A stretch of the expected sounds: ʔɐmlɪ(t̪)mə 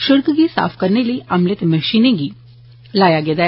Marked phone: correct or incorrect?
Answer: correct